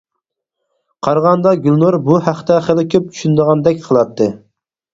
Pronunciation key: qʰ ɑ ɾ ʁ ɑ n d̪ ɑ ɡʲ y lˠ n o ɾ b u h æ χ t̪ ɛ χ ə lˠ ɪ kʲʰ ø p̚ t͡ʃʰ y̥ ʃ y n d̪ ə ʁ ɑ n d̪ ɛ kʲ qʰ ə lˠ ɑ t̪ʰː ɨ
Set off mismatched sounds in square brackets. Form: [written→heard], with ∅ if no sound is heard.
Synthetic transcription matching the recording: qʰ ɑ ɾ ʁ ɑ n d̪ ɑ ɡʲ y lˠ n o ɾ b u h æ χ t̪ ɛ χ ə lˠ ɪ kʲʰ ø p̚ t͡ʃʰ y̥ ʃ y n d̪ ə ʁ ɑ n d̪ ɛ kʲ qʰ ə lˠ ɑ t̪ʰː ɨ